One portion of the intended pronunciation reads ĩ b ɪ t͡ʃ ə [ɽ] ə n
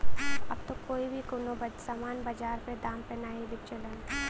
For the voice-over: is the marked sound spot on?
no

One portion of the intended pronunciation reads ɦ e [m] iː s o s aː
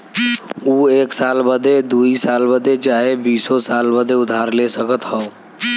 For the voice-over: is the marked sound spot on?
no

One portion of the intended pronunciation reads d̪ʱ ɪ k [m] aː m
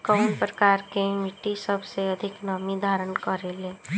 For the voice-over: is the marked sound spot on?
no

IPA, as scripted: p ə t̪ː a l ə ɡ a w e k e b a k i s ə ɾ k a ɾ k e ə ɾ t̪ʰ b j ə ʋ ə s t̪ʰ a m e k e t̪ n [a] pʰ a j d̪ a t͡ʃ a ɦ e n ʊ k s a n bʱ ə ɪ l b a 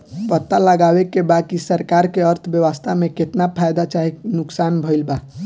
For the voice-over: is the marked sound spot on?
yes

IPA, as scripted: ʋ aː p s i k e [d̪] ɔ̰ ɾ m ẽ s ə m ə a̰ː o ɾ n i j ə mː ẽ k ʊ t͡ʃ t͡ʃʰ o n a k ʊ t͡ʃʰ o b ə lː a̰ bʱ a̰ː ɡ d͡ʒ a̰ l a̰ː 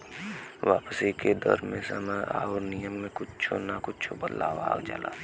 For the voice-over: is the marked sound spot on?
yes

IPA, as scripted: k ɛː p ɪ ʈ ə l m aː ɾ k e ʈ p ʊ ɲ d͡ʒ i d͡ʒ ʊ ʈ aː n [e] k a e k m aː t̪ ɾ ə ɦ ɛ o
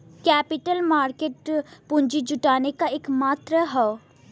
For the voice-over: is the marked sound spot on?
yes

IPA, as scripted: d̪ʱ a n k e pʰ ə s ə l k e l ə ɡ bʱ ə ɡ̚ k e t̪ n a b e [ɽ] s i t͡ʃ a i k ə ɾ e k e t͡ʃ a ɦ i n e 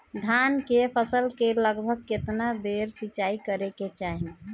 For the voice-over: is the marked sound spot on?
no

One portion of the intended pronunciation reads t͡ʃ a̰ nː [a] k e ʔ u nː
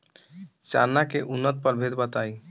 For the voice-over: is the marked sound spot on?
yes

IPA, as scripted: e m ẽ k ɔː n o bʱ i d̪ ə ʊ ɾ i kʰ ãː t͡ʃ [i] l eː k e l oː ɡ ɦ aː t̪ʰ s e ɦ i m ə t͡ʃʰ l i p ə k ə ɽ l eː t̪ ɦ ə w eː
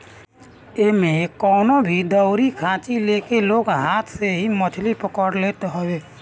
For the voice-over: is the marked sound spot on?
yes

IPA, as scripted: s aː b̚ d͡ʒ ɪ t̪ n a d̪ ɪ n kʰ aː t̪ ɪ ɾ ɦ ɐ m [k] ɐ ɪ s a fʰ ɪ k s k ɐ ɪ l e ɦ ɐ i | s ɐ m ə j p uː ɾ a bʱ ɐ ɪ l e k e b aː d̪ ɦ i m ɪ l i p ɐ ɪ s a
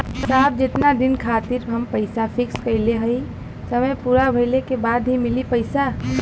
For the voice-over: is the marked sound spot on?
no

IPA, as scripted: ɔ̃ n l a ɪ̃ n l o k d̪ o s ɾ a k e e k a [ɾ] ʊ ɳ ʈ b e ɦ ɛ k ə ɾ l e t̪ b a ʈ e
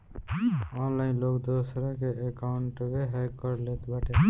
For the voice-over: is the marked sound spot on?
no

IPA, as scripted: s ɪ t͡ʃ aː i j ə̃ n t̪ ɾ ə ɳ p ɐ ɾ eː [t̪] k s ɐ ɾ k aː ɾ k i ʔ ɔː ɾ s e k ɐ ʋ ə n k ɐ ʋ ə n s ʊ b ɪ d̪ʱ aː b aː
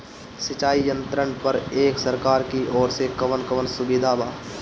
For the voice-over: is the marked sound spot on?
no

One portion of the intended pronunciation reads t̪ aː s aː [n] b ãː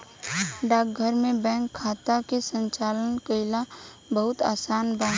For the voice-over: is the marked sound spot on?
yes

